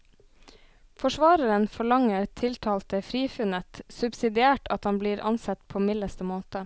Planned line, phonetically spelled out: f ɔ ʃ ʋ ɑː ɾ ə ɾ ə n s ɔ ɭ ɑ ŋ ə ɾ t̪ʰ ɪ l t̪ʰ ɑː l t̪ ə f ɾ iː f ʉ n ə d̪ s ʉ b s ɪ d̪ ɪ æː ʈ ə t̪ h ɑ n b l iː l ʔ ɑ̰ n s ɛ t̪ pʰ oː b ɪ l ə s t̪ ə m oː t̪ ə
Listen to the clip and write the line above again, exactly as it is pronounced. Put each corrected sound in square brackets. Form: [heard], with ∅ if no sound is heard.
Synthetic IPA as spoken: f ɔ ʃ ʋ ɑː ɾ ə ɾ ə n [f] ɔ ɭ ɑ ŋ ə ɾ t̪ʰ ɪ l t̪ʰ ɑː l t̪ ə f ɾ iː f ʉ n ə [t̪] s ʉ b s ɪ d̪ ɪ æː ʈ [ɑ] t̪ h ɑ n b l iː [ɾ] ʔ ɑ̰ n s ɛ t̪ pʰ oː [m] ɪ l ə s t̪ ə m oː t̪ ə

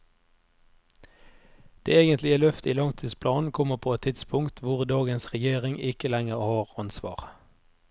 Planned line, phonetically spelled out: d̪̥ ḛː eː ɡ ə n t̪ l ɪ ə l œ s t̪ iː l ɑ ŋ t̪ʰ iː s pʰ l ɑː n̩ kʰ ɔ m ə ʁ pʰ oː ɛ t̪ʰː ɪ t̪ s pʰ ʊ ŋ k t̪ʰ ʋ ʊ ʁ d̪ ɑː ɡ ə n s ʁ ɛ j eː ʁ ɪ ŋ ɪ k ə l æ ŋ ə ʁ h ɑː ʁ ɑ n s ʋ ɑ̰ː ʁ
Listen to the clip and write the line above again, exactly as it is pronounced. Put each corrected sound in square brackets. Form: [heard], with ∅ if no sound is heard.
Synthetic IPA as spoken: d̪̥ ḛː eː ɡ ə n t̪ l ɪ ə l œ [f] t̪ iː l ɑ ŋ t̪ʰ iː s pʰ l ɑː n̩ kʰ ɔ m ə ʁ pʰ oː ɛ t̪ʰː ɪ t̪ s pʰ ʊ ŋ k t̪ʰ ʋ ʊ ʁ d̪ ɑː ɡ ə n s ʁ ɛ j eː ʁ ɪ ŋ ɪ k ə l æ ŋ ə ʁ h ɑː ʁ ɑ n s ʋ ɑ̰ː ʁ

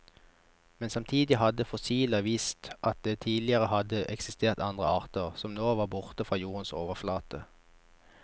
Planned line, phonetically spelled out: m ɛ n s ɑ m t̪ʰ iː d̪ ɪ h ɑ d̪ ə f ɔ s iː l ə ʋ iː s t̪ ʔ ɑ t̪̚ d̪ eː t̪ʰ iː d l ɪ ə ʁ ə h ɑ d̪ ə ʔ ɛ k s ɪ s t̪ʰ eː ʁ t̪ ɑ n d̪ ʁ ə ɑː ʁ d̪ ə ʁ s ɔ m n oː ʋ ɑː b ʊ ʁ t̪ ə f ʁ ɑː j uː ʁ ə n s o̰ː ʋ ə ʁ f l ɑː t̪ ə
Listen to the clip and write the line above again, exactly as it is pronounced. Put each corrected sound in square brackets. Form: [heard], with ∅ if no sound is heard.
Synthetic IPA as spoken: m ɛ n s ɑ m t̪ʰ iː d̪ ɪ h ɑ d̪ ə f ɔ s iː l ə ʋ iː s t̪ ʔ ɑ t̪̚ d̪ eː t̪ʰ iː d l ɪ ə ʁ ə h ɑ d̪ ə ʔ ɛ k s ɪ s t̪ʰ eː ʁ t̪ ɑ n d̪ ʁ ə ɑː ʁ [t̪] ə ʁ s ɔ m n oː ʋ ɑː b ʊ ʁ t̪ ə f ʁ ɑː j uː ʁ ə n s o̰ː ʋ ə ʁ f l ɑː t̪ ə

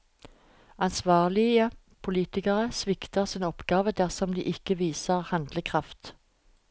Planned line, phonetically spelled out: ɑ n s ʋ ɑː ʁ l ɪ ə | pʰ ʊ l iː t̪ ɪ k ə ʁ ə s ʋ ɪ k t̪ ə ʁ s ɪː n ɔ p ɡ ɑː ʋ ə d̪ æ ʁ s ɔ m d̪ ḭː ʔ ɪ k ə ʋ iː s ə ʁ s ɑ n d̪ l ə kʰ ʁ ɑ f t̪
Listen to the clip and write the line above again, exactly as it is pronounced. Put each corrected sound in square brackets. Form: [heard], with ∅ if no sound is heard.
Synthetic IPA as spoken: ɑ n s ʋ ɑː ʁ l ɪ ə | pʰ ʊ l iː t̪ ɪ k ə ʁ ə s ʋ ɪ k t̪ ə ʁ s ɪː n ɔ p ɡ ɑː ʋ ə d̪ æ ʁ s ɔ m d̪ ḭː ʔ ɪ k ə ʋ iː s ə ʁ [h] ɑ n d̪ l ə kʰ ʁ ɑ f t̪

